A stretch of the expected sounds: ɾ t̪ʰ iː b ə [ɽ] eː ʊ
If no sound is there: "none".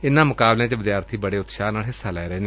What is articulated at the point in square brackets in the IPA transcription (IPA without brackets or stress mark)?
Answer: ɽ